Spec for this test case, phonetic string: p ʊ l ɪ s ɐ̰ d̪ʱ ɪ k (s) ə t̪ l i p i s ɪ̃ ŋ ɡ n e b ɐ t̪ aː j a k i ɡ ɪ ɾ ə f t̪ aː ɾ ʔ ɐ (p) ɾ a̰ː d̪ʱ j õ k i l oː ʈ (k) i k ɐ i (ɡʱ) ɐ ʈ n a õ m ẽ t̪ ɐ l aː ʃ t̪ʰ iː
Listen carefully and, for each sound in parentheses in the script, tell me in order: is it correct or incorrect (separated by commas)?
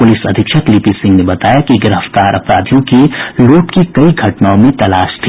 incorrect, correct, correct, correct